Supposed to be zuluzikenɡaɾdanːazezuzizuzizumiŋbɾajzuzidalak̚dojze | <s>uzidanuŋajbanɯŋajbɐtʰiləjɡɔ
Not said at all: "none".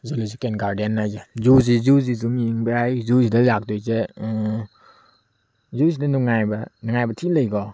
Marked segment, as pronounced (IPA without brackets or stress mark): z